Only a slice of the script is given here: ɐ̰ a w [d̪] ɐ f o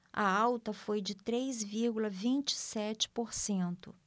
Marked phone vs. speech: incorrect: t̪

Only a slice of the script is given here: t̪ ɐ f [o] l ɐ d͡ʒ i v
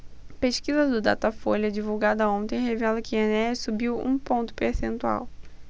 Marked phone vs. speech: correct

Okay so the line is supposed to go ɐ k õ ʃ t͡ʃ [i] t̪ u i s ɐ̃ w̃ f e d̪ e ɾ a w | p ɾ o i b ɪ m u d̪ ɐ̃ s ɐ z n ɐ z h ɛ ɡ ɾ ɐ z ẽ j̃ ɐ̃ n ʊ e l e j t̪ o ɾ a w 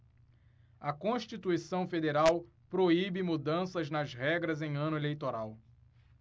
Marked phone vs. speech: correct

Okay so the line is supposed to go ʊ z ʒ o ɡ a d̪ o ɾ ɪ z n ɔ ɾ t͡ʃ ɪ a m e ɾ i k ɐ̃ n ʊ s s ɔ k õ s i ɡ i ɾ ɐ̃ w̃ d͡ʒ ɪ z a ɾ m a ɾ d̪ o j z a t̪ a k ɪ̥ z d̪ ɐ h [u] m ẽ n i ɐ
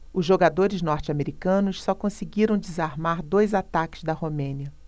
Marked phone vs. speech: incorrect: o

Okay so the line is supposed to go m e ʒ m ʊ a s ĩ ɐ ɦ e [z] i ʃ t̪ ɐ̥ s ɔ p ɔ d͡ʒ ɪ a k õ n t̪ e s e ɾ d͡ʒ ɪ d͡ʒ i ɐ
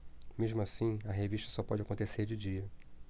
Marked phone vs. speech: incorrect: v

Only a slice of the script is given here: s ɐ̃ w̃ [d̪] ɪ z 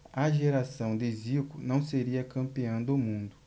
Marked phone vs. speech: correct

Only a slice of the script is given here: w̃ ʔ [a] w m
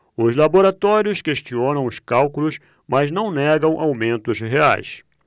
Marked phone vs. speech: correct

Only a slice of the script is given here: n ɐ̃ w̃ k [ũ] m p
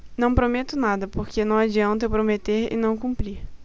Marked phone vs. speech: correct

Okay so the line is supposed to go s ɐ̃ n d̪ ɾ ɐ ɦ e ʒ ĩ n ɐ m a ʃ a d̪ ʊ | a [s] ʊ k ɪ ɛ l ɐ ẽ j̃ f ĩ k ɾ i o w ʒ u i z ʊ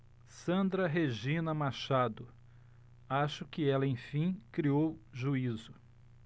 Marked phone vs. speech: incorrect: ʃ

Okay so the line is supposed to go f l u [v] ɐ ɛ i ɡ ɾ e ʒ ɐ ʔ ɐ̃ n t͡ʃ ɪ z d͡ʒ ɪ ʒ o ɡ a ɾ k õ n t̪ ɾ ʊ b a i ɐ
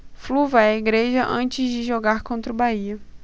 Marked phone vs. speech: correct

